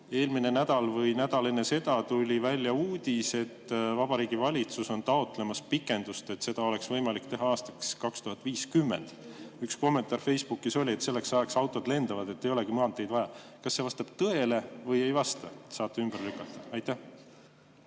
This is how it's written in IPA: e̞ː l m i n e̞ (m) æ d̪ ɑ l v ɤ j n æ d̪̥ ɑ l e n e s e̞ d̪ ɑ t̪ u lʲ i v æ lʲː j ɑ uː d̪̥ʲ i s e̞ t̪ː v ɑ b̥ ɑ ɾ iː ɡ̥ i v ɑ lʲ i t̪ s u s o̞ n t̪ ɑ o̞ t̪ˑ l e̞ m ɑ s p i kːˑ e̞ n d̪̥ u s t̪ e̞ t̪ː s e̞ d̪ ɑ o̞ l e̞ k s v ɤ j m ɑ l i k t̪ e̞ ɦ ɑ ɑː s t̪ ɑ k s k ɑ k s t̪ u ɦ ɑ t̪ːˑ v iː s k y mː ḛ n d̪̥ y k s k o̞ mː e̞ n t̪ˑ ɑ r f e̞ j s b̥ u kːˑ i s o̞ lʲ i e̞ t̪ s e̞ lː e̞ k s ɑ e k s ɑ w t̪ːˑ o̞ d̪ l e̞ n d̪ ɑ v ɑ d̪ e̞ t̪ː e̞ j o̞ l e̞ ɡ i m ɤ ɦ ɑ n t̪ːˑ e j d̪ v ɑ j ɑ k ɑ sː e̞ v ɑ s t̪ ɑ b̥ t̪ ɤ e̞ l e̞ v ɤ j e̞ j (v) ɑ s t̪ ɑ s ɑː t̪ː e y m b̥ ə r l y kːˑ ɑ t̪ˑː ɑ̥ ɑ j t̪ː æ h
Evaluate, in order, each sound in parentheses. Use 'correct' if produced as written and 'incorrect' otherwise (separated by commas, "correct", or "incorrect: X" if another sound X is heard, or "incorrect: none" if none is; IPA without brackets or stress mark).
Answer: incorrect: n, correct